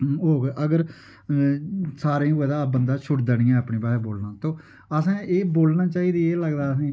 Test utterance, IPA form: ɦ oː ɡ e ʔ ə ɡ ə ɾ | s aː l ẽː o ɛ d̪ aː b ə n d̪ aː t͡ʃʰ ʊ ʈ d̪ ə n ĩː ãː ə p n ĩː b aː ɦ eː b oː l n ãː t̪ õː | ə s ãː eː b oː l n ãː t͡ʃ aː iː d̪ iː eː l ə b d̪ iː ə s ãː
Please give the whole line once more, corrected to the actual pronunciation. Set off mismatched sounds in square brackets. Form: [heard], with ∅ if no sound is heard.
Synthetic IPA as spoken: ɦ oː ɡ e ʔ ə ɡ ə ɾ | s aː [ɾ] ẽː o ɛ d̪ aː b ə n d̪ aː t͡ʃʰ ʊ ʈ d̪ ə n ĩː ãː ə p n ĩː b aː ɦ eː b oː l n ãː t̪ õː | ə s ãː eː b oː l n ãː t͡ʃ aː iː d̪ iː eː l ə [ɡ] d̪ [aː] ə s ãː